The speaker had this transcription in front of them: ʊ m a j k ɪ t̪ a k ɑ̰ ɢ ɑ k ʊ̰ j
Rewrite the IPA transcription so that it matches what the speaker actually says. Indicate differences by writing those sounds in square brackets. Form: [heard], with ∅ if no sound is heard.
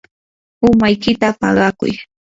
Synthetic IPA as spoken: ʊ m a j k ɪ t̪ a [p] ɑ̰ ɢ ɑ k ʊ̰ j